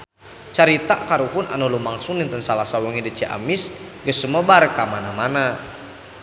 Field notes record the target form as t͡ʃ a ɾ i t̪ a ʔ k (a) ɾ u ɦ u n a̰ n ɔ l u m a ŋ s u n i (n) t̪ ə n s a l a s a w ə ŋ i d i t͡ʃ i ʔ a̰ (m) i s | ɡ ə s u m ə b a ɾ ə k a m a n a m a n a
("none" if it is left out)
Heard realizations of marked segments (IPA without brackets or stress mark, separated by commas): a, n, m